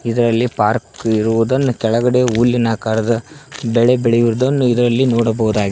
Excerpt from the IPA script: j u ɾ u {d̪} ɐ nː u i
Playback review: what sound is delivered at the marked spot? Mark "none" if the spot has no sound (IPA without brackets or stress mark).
d̪